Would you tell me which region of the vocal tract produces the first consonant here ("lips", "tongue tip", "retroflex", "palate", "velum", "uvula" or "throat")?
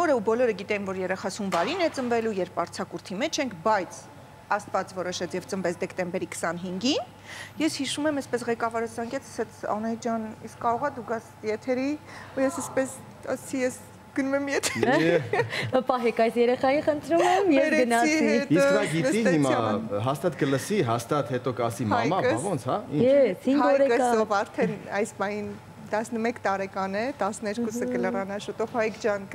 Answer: tongue tip